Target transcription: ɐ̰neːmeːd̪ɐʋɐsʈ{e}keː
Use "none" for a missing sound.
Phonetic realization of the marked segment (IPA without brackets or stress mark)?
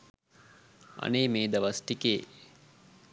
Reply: i